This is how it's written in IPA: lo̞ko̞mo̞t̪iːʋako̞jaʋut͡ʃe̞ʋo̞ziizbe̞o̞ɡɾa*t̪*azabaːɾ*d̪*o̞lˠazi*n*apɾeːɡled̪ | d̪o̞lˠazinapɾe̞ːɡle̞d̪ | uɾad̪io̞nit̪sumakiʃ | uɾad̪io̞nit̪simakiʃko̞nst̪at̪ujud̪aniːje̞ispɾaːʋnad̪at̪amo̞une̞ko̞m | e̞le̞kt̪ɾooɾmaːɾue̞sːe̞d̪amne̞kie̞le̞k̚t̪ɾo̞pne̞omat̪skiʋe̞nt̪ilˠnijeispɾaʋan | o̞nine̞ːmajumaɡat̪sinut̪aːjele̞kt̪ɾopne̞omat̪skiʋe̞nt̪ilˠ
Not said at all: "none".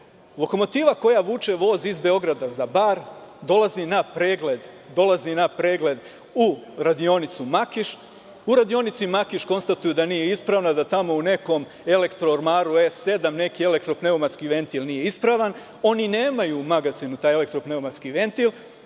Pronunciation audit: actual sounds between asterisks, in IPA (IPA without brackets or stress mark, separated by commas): d̪, d̪, n